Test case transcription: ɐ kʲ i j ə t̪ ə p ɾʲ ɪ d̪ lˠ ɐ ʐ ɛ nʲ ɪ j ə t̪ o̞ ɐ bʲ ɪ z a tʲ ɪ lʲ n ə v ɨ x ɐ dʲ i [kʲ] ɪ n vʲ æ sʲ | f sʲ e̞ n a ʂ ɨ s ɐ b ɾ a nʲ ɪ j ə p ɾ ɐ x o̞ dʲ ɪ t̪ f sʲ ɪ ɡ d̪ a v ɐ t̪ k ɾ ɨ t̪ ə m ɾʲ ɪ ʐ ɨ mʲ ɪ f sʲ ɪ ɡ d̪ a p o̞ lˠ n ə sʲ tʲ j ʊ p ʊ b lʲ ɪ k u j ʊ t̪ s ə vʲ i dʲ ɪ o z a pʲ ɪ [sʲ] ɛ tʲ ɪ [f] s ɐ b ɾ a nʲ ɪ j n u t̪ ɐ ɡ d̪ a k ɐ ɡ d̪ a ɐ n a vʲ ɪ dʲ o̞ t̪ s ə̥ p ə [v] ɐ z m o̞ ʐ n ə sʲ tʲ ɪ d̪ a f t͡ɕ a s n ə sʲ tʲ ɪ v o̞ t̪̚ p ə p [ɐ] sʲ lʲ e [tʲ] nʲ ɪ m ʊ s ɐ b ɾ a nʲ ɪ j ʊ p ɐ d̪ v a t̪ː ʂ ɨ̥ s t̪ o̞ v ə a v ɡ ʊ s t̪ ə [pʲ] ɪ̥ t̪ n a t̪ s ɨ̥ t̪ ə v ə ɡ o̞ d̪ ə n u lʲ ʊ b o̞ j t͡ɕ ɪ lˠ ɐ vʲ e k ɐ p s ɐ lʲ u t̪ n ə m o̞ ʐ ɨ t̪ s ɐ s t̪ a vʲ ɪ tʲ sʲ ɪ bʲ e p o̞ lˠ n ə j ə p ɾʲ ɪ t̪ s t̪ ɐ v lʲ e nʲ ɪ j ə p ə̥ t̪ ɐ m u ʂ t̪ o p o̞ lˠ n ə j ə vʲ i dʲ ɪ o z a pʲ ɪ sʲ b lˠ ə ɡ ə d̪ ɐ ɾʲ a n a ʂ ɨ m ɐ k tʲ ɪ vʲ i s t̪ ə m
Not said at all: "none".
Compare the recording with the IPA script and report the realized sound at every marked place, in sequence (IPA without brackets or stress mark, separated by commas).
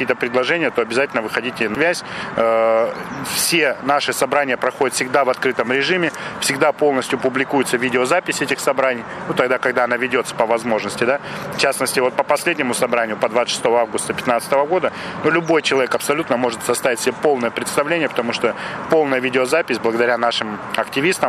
tʲ, sʲ, x, v, ɐ, dʲ, pʲ